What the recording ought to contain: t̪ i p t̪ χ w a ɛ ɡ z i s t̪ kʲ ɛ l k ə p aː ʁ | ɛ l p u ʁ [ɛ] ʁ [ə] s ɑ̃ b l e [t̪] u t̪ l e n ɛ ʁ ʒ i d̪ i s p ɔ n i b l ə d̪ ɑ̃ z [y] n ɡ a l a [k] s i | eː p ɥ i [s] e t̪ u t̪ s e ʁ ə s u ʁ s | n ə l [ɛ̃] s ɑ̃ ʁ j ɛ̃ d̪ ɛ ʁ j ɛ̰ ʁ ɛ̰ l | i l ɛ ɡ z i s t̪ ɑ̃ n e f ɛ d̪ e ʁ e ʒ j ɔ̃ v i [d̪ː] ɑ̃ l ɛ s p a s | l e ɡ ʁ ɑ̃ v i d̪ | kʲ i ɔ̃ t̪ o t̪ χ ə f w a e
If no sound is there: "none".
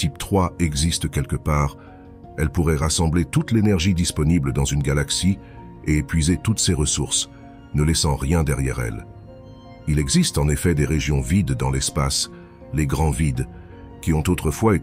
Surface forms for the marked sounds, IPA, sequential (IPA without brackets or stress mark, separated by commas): ɛ, a, t̪, y, k, z, ɛ, d̪ː